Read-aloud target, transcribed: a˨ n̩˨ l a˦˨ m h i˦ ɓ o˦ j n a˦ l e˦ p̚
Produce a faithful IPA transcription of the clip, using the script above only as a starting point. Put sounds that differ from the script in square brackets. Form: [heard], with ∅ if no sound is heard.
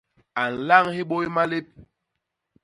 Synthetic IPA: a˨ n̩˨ l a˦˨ [ŋ] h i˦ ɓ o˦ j [m] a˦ l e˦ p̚